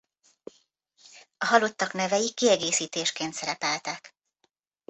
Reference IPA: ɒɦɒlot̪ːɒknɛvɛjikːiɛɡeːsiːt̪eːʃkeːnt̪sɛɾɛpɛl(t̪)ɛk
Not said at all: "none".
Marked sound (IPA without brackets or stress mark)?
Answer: t̪